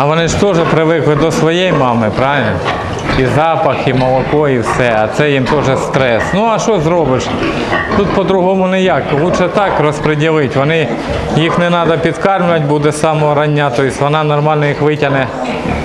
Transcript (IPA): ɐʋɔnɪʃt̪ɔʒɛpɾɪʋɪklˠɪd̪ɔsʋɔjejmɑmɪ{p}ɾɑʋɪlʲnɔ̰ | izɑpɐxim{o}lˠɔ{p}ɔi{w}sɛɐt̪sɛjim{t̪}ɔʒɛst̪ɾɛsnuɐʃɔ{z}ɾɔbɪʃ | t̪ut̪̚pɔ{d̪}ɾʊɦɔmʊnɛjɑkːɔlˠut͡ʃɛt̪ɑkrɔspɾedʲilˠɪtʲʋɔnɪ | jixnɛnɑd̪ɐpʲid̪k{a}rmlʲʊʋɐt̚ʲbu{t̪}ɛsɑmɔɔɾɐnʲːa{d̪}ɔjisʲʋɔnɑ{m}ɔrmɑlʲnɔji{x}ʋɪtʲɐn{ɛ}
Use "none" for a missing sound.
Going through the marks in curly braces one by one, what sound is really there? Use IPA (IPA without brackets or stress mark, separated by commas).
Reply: p, ɔ, k, w, t̪, z, d̪, ɑ, d̪, t̪, n, x, ɛ